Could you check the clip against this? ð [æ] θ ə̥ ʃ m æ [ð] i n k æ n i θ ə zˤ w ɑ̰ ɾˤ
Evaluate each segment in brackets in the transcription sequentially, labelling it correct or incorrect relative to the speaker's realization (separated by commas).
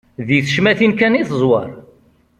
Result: incorrect, incorrect